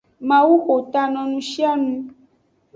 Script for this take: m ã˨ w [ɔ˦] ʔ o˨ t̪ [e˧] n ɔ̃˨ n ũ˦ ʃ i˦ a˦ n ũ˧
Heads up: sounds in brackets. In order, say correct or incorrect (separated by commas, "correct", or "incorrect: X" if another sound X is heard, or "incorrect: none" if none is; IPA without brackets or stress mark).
incorrect: u˦, incorrect: a˧